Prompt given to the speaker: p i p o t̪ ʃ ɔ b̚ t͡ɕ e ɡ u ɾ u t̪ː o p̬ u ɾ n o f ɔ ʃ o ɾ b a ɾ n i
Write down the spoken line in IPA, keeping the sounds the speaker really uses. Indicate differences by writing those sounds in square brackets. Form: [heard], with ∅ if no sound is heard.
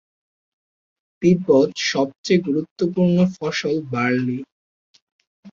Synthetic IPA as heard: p i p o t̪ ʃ ɔ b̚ t͡ɕ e ɡ u ɾ u t̪ː o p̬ u ɾ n o f ɔ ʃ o [l] b a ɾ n i